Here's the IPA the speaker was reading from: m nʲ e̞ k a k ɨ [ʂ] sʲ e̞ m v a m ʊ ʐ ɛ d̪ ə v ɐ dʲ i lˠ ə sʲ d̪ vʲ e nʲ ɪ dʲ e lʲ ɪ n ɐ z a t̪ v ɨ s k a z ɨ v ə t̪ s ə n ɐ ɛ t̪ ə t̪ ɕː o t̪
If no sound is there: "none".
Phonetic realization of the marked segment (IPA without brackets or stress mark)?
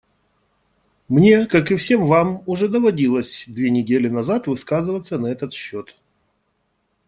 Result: f